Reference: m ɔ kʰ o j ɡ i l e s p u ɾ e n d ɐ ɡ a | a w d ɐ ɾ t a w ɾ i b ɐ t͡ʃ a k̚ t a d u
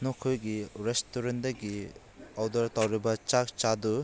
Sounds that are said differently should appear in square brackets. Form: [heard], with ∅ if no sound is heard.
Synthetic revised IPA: [n] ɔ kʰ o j ɡ i [ɾ] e s [t] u ɾ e n d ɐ ɡ [i] | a w d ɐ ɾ t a w ɾ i b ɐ t͡ʃ a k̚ [t͡ʃ] a d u